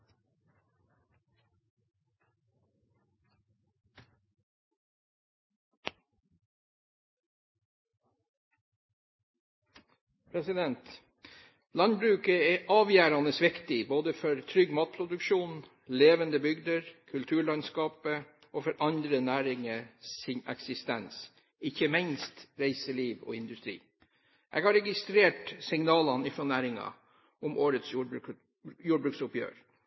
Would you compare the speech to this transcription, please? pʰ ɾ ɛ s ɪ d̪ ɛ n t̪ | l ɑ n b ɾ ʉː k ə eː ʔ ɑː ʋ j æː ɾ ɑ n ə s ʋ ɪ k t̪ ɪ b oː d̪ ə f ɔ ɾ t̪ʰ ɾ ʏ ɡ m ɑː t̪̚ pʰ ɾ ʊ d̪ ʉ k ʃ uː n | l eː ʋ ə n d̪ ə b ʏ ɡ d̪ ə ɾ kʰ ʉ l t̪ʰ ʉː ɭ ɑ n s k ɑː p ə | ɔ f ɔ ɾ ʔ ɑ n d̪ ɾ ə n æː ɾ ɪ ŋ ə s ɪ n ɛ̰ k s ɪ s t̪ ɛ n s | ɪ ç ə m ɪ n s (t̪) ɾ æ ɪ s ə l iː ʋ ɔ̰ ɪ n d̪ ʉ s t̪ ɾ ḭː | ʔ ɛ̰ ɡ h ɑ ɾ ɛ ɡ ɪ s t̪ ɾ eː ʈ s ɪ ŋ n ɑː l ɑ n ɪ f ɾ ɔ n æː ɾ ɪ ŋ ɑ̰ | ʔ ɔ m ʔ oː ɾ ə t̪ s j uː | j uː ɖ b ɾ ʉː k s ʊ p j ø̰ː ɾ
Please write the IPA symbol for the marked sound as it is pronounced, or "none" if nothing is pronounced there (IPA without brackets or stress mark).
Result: t̪